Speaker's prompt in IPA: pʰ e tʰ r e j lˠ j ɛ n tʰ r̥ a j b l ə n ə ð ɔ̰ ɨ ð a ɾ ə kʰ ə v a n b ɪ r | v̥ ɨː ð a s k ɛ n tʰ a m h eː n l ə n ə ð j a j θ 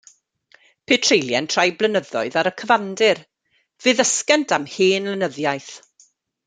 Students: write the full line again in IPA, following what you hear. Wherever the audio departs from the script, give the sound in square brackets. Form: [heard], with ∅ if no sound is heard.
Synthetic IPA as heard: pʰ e tʰ r e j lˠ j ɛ n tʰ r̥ a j b l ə n ə ð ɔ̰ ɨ ð a ɾ ə kʰ ə v a n [d] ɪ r | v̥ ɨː ð [ə] s k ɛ n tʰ a m h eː n l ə n ə ð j a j θ